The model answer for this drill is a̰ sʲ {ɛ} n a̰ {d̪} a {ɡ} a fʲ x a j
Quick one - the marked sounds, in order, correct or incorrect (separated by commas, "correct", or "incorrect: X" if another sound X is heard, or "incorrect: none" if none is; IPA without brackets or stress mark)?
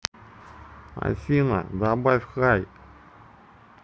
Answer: incorrect: i, correct, incorrect: b